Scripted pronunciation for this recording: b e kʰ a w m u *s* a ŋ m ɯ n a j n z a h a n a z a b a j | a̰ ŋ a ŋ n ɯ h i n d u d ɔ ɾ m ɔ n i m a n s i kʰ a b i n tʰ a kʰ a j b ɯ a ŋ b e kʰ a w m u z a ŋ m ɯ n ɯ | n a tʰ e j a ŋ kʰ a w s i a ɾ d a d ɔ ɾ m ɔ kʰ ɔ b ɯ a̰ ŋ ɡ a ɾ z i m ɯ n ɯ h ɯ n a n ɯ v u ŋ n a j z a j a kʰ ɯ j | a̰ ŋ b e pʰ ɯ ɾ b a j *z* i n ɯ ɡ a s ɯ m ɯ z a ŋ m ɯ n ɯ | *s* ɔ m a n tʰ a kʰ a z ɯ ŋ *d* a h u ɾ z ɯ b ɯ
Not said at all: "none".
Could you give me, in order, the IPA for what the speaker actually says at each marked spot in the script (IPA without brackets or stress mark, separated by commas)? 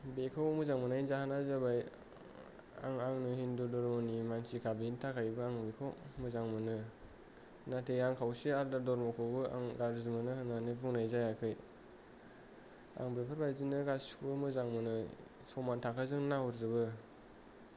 z, z, s, n